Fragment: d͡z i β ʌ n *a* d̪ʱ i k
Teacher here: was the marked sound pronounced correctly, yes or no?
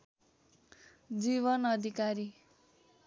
no